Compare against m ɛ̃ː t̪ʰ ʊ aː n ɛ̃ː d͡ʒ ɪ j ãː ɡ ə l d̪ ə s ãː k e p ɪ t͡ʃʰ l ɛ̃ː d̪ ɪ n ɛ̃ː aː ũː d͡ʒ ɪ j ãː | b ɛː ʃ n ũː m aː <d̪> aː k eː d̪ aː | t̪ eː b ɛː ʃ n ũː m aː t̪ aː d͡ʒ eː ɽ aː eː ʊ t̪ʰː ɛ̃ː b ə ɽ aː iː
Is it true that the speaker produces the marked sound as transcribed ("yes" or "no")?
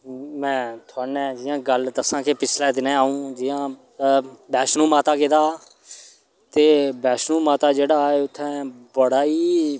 no